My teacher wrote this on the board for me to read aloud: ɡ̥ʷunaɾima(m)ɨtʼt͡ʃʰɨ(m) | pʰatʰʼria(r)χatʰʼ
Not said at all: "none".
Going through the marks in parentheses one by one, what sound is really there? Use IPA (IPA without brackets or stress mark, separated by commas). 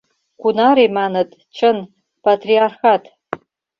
n, n, r